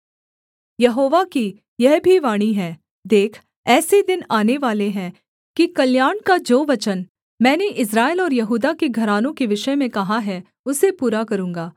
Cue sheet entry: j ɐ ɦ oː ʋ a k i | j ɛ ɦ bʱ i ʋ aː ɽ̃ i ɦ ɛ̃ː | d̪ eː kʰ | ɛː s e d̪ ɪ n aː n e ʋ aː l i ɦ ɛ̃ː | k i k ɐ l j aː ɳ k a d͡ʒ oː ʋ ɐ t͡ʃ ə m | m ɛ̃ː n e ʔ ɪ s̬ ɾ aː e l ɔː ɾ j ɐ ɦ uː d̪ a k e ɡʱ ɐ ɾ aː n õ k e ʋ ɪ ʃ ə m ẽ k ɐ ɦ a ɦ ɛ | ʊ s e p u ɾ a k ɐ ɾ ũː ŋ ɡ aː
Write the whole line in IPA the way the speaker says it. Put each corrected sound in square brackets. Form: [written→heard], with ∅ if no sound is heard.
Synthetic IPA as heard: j ɐ ɦ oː ʋ a k i | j ɛ ɦ bʱ i ʋ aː ɽ̃ i ɦ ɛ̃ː | d̪ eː kʰ | ɛː s e d̪ ɪ n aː n e ʋ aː l [i→e] ɦ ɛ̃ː | k i k ɐ l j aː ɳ k a d͡ʒ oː ʋ ɐ t͡ʃ ə [m→n] | m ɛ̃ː n e ʔ ɪ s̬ ɾ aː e l ɔː ɾ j ɐ ɦ uː d̪ a k e ɡʱ ɐ ɾ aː n õ k e ʋ ɪ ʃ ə m ẽ k ɐ ɦ a ɦ ɛ | ʊ s e p [u→uː] ɾ a k ɐ ɾ ũː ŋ ɡ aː